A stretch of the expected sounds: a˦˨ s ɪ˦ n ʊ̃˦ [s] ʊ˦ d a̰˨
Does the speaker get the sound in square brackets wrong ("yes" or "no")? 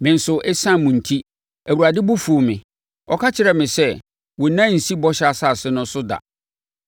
no